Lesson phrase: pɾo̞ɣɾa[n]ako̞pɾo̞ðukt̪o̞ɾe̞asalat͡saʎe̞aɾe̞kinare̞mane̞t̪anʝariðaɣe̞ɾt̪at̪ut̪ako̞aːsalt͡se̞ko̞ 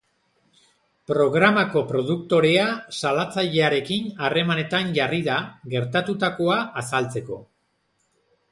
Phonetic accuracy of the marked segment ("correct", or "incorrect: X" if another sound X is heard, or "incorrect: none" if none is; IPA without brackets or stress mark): incorrect: m